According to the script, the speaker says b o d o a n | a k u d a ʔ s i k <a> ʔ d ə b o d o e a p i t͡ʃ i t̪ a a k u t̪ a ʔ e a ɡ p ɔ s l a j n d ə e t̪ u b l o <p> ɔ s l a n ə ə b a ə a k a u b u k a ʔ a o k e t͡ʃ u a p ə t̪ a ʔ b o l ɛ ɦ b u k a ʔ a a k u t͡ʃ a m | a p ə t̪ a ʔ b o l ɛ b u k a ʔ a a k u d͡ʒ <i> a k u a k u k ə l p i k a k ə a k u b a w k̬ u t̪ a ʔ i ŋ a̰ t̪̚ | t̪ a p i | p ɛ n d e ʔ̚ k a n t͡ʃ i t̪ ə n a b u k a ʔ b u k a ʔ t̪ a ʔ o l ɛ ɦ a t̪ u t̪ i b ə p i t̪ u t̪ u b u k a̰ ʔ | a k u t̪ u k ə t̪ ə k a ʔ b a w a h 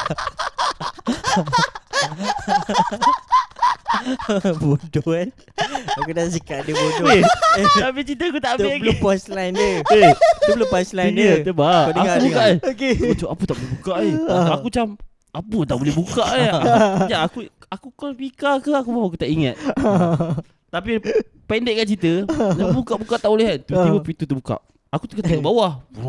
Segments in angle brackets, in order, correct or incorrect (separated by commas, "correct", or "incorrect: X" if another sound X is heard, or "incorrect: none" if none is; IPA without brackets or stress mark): correct, correct, incorrect: a